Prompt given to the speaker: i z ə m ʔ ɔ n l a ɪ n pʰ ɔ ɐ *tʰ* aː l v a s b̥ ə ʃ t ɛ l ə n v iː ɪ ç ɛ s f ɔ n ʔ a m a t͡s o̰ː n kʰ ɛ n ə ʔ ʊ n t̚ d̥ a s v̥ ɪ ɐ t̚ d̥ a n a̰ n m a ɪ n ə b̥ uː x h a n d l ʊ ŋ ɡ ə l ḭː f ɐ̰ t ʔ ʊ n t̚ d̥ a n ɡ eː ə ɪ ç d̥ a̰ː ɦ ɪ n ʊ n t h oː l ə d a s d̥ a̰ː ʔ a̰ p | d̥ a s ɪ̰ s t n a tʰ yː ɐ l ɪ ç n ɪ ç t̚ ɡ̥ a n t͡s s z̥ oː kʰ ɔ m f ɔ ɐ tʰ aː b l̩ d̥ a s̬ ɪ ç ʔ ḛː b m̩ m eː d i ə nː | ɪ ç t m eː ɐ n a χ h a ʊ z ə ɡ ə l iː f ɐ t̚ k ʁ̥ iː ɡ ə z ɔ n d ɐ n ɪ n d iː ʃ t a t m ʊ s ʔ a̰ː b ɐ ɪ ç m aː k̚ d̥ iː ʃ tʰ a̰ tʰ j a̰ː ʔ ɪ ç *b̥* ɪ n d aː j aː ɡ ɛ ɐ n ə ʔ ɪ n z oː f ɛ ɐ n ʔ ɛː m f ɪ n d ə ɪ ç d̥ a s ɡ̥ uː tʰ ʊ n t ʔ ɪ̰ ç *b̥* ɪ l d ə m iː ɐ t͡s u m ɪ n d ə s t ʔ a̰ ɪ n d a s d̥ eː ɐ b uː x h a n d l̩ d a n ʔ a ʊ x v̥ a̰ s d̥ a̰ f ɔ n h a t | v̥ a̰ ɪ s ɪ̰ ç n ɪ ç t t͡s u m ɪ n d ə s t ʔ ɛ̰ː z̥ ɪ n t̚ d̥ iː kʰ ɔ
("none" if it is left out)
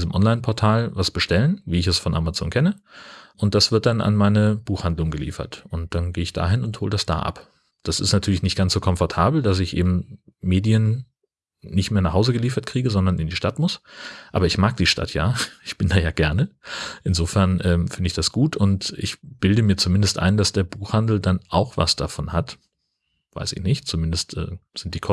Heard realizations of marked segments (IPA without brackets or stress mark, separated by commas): tʰ, b̥, b̥